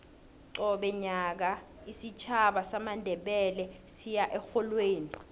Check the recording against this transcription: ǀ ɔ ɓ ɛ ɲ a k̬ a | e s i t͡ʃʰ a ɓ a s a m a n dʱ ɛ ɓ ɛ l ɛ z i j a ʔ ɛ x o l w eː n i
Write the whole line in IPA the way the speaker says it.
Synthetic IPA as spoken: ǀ ɔ ɓ ɛ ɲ a k̬ a | i s i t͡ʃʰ a ɓ a s a m a n dʱ ɛ ɓ ɛ l ɛ s i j a ʔ ɛ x ɔ l w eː n i